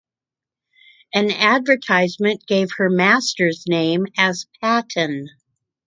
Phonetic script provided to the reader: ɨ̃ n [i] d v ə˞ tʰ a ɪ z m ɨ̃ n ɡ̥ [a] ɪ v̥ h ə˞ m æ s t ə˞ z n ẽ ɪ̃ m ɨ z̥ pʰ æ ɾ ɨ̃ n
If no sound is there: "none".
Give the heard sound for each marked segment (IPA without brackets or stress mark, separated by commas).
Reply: æ, e